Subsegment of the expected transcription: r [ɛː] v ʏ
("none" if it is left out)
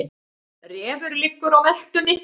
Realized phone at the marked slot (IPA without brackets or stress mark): ɛː